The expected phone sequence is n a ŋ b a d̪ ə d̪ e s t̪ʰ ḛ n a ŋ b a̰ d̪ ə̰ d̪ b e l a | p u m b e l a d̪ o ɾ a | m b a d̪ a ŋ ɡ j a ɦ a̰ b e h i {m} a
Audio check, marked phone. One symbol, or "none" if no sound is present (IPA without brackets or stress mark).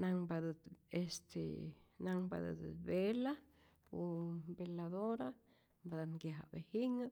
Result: ŋ